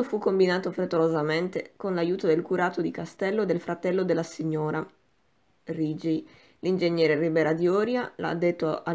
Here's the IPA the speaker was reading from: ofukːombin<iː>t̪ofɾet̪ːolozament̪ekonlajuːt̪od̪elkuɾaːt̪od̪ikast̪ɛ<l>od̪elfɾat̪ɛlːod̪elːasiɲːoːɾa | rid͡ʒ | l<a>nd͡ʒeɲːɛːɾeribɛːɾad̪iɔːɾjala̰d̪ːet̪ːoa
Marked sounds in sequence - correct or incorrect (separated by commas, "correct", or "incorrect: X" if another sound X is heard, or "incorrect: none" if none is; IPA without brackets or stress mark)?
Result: incorrect: aː, incorrect: lː, incorrect: i